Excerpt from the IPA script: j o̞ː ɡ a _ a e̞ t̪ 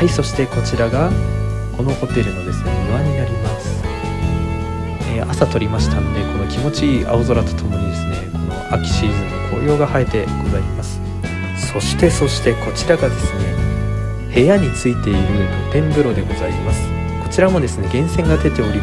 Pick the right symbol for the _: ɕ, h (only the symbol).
h